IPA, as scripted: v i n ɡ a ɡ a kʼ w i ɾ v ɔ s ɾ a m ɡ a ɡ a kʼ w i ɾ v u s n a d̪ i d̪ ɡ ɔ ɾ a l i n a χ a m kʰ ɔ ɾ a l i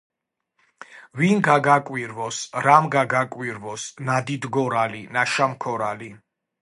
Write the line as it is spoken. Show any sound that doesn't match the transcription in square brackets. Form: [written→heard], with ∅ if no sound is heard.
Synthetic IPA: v i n ɡ a ɡ a kʼ w i ɾ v ɔ s ɾ a m ɡ a ɡ a kʼ w i ɾ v [u→ɔ] s n a d̪ i d̪ ɡ ɔ ɾ a l i n a [χ→ʃ] a m kʰ ɔ ɾ a l i